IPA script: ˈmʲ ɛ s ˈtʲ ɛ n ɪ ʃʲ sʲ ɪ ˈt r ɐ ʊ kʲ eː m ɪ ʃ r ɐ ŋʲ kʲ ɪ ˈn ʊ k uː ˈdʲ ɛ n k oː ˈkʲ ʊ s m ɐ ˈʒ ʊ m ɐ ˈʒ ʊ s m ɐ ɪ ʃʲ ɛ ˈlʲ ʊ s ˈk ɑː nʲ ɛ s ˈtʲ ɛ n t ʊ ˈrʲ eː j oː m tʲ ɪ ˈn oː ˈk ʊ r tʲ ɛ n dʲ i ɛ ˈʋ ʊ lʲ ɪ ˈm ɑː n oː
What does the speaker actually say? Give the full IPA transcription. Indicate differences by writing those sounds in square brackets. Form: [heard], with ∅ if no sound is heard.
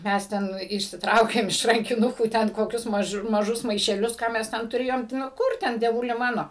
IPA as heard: ˈmʲ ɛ s ˈtʲ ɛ n ɪ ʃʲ sʲ ɪ ˈt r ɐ ʊ kʲ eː m ɪ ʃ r ɐ ŋʲ kʲ ɪ ˈn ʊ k uː [ˈtʲ] ɛ n k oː ˈkʲ ʊ s m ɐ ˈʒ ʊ m ɐ ˈʒ ʊ s m ɐ ɪ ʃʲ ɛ ˈlʲ ʊ s ˈk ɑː [mʲ] ɛ s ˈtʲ ɛ n t ʊ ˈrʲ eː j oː m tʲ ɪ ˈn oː ˈk ʊ r tʲ ɛ n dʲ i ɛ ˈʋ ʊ lʲ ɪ ˈm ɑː n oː

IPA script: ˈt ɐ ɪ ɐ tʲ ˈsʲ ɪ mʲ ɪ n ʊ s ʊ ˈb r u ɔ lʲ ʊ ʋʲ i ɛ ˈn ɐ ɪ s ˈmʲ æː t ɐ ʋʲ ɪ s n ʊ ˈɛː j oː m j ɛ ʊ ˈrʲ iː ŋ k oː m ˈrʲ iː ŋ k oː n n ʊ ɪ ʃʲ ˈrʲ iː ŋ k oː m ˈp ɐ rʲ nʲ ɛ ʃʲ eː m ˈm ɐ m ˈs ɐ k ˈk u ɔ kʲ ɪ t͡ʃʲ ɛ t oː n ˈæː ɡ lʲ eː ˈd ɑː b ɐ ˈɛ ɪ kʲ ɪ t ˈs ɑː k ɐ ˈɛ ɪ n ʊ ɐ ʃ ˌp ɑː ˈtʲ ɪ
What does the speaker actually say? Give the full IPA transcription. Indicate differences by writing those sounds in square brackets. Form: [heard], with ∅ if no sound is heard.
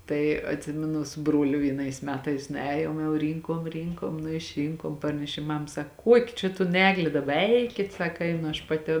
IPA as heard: ˈt ɐ ɪ ɐ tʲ ˈsʲ ɪ mʲ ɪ n ʊ s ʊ ˈb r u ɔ lʲ ʊ ʋʲ i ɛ ˈn ɐ ɪ s ˈmʲ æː t ɐ [∅] ɪ s n ʊ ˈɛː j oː m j ɛ ʊ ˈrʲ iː ŋ k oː m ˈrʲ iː ŋ k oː [m] n ʊ ɪ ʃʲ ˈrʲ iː ŋ k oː m ˈp ɐ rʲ nʲ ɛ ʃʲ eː m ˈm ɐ m ˈs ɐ k ˈk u ɔ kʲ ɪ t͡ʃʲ ɛ t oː n ˈæː ɡ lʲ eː ˈd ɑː b ɐ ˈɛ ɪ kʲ ɪ t ˈs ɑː k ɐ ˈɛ ɪ n ʊ ɐ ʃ ˌp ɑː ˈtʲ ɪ

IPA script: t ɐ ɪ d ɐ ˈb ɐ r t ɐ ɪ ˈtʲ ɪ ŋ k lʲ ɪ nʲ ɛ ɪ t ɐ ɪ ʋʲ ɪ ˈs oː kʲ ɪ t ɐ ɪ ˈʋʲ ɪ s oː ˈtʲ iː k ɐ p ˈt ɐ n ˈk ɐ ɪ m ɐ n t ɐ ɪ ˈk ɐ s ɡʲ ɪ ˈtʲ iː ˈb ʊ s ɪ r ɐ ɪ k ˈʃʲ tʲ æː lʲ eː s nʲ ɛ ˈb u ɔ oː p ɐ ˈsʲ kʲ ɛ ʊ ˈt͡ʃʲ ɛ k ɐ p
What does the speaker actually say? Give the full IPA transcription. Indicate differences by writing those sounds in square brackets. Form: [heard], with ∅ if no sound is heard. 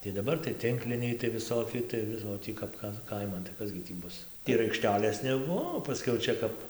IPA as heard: t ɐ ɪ d ɐ ˈb ɐ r t ɐ ɪ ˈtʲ ɪ ŋ k lʲ ɪ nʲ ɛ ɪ t ɐ ɪ ʋʲ ɪ ˈs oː kʲ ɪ t ɐ ɪ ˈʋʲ ɪ s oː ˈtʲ iː k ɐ p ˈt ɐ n ˈk ɐ ɪ m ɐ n t ɐ ɪ ˈk ɐ s ɡʲ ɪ ˈtʲ iː ˈb ʊ s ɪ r ɐ ɪ k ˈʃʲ tʲ æː lʲ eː s nʲ ɛ ˈb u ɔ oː p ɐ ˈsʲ kʲ ɛ ʊ ˈt͡ʃʲ ɛ k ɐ p

